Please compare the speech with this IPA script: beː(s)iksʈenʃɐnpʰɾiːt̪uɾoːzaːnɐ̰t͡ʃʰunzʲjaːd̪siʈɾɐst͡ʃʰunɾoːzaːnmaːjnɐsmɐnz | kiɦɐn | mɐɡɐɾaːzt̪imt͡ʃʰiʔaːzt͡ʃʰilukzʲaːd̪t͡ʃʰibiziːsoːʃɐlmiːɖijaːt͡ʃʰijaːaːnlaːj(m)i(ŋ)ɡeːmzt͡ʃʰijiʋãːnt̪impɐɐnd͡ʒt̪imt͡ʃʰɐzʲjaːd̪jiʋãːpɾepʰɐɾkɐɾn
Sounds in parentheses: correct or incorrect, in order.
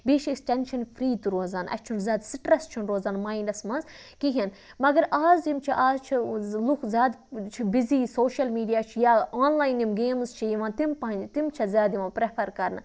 incorrect: ʃ, incorrect: n, incorrect: m

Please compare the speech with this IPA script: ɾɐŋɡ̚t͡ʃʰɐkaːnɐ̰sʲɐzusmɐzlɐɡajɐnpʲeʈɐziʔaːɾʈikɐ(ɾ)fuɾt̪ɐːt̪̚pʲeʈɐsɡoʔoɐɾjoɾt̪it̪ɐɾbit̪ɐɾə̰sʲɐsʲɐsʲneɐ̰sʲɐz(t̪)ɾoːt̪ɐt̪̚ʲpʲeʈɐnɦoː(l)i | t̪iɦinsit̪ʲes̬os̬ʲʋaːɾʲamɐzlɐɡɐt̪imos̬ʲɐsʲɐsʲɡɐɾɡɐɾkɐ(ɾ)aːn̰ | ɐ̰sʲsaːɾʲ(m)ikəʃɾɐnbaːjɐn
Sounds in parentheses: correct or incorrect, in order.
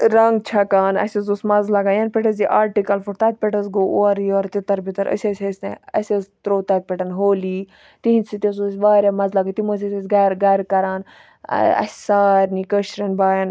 incorrect: l, correct, correct, correct, incorrect: n

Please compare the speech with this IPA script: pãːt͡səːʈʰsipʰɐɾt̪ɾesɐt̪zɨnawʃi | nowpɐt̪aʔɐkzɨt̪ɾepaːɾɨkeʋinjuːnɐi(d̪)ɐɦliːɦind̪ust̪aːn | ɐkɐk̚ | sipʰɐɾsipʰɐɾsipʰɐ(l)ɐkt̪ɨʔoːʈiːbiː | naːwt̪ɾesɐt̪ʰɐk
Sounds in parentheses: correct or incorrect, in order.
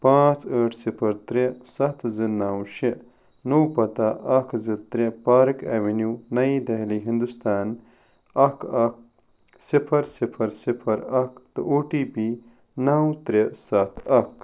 correct, incorrect: ɾ

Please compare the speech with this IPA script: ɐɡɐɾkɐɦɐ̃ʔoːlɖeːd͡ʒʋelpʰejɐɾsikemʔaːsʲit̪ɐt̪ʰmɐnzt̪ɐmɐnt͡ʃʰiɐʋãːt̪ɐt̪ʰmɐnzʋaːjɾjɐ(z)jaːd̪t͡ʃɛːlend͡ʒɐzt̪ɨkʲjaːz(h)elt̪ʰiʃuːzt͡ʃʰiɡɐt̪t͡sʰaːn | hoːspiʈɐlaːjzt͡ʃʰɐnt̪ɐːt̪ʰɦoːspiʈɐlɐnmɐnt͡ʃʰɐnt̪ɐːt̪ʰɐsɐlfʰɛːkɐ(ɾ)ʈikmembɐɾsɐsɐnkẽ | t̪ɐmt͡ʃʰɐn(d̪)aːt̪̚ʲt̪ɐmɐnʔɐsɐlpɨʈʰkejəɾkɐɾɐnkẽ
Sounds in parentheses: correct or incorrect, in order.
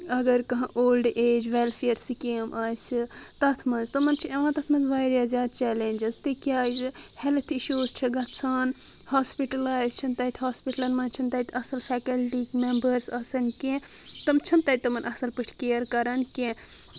correct, correct, incorrect: l, incorrect: t̪

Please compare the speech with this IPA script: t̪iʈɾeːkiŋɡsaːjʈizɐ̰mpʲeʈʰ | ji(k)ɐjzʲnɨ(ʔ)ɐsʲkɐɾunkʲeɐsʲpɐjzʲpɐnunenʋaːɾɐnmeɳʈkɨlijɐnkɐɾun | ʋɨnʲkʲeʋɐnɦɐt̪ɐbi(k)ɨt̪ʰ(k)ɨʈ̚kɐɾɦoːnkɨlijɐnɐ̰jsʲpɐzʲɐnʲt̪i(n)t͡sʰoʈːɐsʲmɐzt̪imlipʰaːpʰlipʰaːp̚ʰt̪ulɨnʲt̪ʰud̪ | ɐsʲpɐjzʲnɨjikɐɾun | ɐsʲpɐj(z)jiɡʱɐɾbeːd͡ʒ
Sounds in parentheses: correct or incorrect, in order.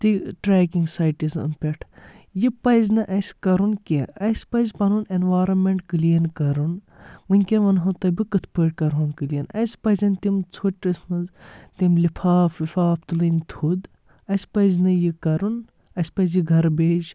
incorrect: p, correct, correct, incorrect: p, incorrect: m, correct

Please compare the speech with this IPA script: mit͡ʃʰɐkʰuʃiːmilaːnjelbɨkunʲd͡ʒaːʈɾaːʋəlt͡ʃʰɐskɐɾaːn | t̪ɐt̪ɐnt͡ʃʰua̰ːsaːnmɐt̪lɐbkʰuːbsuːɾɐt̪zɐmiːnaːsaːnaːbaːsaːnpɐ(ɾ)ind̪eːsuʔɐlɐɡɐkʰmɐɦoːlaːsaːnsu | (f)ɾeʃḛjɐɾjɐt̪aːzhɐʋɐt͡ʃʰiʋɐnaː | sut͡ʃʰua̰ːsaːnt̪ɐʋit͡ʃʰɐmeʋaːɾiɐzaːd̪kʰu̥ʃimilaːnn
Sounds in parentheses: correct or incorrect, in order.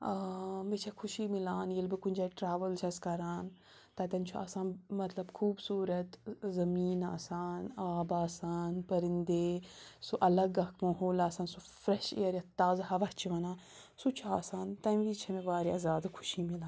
correct, correct

